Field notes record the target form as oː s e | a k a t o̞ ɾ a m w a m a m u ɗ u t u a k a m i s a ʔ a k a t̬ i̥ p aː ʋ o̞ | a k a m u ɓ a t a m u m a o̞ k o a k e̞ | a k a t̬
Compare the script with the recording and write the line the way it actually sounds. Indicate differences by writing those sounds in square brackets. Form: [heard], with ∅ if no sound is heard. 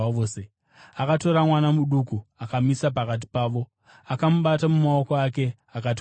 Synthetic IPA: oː s e | a k a t o̞ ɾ a m w a [n] a m u ɗ u [k] u a k a m i s a [p] a k a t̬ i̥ p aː ʋ o̞ | a k a m u ɓ a t a m u m a o̞ k o a k e̞ | a k a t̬